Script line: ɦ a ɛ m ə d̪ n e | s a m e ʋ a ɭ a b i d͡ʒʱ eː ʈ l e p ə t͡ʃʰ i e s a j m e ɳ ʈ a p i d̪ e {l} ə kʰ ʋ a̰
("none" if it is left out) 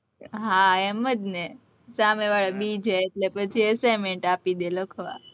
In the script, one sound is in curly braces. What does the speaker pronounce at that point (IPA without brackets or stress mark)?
l